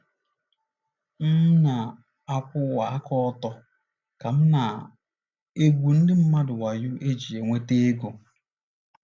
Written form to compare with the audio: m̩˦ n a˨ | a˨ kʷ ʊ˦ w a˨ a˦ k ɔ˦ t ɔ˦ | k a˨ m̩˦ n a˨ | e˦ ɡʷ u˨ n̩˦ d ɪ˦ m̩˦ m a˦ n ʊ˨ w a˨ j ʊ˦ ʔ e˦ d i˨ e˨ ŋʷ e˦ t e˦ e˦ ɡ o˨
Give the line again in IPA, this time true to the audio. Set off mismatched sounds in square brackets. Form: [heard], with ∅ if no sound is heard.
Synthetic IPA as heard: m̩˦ n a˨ | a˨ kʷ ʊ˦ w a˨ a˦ k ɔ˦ t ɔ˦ | k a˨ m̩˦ n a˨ | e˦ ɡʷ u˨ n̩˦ d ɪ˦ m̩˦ m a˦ [d] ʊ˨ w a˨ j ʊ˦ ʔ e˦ [d͡ʒ] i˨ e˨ ŋʷ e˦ t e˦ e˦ ɡ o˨